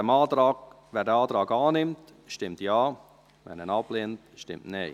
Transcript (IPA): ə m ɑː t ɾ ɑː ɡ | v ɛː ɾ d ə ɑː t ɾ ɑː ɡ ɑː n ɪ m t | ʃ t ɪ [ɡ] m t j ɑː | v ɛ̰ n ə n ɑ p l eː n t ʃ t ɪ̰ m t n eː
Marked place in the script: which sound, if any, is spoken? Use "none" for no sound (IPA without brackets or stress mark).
none